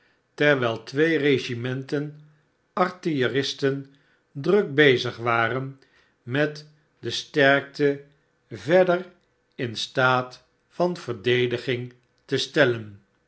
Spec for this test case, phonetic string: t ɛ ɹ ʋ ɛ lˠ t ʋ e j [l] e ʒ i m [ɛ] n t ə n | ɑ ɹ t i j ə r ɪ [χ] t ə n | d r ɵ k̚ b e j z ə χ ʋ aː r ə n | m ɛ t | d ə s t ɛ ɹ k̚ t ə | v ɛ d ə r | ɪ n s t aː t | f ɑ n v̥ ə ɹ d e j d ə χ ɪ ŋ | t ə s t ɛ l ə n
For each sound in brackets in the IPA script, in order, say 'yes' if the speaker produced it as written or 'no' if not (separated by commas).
no, yes, no